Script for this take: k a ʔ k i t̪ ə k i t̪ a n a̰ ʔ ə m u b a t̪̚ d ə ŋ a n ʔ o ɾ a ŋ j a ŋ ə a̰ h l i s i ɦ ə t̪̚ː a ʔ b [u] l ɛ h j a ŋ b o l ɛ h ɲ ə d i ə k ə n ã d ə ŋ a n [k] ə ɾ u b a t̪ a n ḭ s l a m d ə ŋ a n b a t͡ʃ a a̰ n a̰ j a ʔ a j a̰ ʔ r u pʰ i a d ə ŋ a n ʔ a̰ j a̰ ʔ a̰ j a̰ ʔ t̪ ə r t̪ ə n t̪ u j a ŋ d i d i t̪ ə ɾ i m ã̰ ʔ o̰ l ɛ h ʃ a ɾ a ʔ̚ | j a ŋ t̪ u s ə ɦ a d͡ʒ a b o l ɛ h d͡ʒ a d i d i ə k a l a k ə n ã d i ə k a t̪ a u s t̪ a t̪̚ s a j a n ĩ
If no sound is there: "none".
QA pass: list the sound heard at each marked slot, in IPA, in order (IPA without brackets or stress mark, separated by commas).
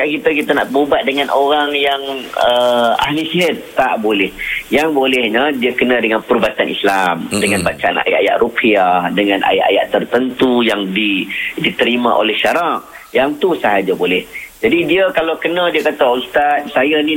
o, p